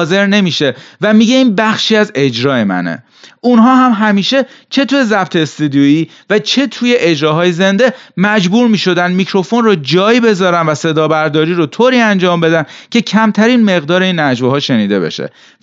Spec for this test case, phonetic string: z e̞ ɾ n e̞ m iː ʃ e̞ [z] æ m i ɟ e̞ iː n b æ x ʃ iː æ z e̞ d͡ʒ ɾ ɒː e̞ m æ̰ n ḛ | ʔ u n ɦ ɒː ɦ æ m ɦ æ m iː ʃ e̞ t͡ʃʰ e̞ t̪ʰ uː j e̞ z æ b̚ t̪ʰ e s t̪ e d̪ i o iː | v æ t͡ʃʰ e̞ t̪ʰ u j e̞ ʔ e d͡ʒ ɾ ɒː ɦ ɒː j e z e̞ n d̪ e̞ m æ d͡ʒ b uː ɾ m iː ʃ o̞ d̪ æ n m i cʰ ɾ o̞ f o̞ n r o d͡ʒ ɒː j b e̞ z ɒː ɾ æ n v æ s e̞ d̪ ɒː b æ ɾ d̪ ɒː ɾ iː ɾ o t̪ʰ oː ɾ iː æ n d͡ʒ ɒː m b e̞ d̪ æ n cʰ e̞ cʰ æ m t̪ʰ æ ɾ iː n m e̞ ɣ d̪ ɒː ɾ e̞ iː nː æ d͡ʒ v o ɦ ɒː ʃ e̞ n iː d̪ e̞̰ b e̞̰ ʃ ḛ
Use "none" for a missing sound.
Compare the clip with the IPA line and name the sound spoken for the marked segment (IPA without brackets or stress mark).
v